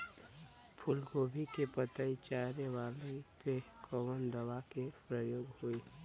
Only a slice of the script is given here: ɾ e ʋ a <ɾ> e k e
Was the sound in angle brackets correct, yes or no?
no